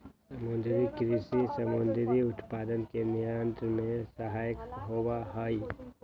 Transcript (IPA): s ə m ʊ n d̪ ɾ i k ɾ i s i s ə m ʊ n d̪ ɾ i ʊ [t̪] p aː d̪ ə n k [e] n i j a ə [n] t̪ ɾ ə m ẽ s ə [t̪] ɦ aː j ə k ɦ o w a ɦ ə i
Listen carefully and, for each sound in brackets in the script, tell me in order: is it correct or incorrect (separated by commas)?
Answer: correct, correct, correct, incorrect